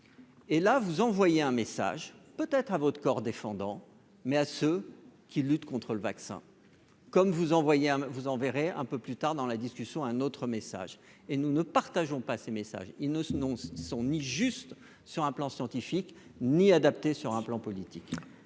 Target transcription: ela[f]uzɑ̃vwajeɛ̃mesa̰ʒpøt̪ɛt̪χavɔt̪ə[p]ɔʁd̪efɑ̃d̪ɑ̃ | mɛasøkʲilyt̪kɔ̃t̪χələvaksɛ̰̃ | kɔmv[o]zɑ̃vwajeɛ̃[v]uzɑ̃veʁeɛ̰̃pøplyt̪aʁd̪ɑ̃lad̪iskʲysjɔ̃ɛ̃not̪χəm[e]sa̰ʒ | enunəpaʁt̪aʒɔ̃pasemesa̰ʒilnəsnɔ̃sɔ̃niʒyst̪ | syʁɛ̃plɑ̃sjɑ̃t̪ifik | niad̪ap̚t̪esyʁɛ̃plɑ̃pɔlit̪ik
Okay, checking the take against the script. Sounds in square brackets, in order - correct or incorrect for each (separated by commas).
incorrect, incorrect, incorrect, correct, correct